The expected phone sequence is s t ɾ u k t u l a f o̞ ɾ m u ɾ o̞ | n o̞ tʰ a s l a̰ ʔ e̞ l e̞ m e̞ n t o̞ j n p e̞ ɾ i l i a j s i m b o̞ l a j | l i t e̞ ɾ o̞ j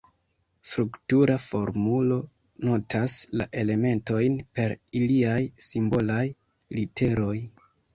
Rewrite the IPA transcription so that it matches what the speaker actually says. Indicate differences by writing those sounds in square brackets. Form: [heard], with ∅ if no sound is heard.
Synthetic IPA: s t ɾ u k t u [ɾ] a f o̞ ɾ m u [l] o̞ | n o̞ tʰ a s l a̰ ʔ e̞ l e̞ m e̞ n t o̞ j n p e̞ ɾ i l i a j s i m b o̞ l a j | l i t e̞ ɾ o̞ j